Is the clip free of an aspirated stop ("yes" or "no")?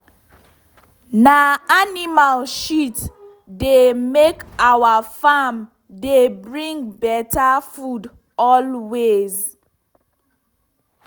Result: yes